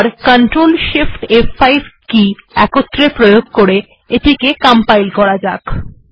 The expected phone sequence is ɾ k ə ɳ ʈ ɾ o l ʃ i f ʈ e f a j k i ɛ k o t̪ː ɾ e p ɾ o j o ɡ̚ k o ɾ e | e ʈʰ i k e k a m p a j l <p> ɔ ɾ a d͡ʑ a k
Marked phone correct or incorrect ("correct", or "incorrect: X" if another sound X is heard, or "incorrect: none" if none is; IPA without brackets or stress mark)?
incorrect: k